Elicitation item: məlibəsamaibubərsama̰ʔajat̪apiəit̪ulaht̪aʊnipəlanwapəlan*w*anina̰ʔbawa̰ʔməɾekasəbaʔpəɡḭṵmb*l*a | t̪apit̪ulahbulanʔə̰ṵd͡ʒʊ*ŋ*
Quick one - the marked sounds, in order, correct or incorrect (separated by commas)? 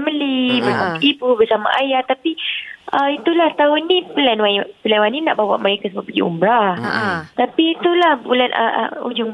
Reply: correct, incorrect, correct